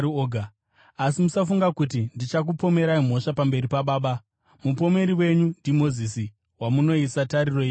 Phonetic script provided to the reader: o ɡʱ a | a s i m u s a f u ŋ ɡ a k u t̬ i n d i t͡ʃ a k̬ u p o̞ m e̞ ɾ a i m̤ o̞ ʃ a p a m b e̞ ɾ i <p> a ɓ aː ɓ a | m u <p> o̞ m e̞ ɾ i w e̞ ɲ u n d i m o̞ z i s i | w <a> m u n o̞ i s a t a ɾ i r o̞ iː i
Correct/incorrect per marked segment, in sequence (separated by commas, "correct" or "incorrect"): correct, correct, correct